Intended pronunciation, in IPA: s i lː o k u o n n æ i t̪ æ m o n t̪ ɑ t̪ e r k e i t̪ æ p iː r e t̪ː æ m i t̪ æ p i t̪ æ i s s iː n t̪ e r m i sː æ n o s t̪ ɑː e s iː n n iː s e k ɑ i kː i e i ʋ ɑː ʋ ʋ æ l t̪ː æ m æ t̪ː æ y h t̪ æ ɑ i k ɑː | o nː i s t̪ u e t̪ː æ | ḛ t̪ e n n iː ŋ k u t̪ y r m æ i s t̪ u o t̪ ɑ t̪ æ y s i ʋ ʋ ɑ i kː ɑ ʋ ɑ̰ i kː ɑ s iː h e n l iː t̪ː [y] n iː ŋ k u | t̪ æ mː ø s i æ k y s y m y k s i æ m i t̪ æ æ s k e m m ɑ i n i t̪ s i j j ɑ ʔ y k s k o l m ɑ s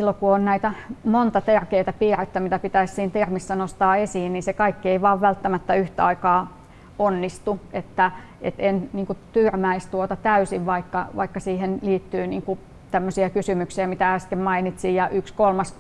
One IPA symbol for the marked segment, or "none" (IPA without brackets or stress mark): yː